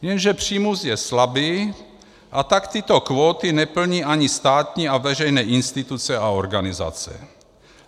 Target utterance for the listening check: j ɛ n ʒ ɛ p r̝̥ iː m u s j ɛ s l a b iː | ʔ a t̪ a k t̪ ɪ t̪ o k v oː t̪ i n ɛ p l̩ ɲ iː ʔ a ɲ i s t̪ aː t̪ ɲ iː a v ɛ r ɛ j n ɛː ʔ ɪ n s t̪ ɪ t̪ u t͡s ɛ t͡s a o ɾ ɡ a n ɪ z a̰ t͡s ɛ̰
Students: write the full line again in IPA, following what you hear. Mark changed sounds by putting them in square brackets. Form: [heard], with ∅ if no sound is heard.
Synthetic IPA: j ɛ n ʒ ɛ p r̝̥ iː m u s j ɛ s l a b iː | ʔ a t̪ a k t̪ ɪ t̪ o k v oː t̪ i n ɛ p l̩ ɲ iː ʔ a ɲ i s t̪ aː t̪ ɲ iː a v ɛ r ɛ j n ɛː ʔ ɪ n s t̪ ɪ t̪ u t͡s ɛ [∅] a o ɾ ɡ a n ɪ z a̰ t͡s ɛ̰